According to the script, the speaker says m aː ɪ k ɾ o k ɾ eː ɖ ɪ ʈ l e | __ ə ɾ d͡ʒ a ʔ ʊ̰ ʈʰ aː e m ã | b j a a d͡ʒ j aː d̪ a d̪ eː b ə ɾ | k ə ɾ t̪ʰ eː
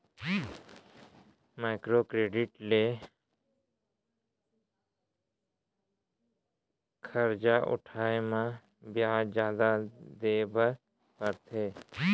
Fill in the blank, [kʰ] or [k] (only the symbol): kʰ